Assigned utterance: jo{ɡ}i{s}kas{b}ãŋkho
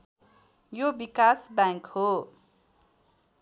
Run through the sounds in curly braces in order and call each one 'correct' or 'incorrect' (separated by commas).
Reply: incorrect, incorrect, correct